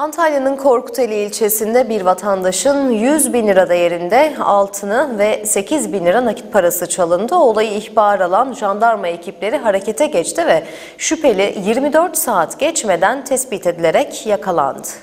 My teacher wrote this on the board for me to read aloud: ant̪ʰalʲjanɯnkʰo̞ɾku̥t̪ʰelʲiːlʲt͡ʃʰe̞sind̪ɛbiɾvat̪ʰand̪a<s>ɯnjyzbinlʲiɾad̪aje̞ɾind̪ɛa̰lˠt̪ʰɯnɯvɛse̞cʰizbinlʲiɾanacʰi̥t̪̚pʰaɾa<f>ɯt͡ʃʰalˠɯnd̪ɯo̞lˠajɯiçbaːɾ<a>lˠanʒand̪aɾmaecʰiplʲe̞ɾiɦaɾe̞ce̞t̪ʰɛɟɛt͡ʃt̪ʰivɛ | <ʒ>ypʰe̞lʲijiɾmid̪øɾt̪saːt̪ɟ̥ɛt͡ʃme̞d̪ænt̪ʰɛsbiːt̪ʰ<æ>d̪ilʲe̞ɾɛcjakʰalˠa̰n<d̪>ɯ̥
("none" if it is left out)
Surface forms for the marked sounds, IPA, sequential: ʃ, s, a, ʃ, e, d̪

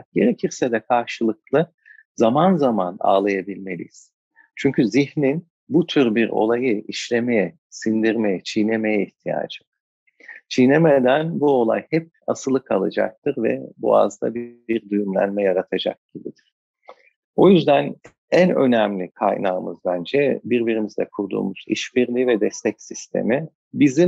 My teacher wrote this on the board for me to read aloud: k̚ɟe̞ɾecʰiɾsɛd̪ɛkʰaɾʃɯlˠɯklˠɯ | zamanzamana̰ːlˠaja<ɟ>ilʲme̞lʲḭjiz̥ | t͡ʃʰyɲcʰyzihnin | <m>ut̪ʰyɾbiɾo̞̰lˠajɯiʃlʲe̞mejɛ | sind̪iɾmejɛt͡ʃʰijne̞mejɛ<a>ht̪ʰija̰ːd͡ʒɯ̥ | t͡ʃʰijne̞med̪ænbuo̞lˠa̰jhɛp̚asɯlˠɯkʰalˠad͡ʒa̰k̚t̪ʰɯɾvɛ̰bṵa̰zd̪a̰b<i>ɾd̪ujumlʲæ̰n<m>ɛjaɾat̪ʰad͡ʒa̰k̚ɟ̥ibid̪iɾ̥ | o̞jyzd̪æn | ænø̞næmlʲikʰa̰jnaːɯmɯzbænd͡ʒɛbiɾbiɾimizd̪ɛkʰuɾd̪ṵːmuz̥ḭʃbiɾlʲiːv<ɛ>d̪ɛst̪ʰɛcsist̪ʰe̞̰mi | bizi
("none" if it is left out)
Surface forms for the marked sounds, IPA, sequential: b, b, i, i, m, ɛ

